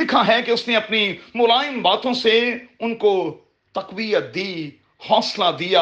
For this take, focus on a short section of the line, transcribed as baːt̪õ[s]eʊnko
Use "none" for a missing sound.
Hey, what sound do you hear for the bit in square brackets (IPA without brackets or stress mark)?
s